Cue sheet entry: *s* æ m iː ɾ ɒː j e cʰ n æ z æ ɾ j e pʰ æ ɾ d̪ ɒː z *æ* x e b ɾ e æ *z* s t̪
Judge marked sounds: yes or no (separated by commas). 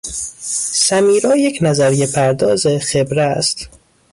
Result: yes, no, no